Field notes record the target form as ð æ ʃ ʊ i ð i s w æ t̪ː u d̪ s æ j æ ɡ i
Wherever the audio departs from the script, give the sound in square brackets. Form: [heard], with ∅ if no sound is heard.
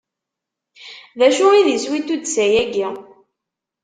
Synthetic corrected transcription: ð æ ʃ ʊ i ð i s w [i] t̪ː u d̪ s æ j æ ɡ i